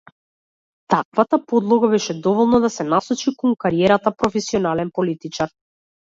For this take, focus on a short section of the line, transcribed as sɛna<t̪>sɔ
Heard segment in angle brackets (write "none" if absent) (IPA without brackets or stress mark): none